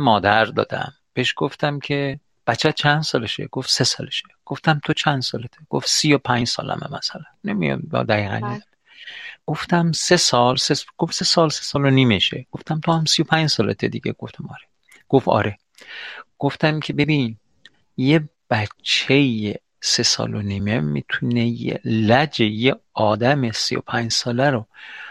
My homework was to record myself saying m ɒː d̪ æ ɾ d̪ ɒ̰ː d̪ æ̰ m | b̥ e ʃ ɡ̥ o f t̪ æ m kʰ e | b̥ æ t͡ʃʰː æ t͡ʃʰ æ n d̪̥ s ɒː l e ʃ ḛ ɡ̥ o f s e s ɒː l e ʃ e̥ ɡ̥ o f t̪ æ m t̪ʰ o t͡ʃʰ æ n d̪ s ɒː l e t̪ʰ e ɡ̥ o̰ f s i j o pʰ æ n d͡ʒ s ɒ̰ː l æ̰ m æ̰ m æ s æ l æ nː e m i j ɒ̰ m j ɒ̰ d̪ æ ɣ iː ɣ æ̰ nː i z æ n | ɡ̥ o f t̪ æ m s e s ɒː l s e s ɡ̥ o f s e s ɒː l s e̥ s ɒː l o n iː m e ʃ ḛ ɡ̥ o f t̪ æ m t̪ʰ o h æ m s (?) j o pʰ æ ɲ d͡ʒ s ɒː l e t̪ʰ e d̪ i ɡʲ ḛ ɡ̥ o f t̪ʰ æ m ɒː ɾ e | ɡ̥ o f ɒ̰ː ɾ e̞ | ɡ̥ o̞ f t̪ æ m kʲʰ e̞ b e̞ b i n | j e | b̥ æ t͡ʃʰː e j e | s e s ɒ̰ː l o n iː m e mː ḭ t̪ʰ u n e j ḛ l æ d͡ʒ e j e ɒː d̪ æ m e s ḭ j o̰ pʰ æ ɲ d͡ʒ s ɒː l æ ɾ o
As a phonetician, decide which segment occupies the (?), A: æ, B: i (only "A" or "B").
B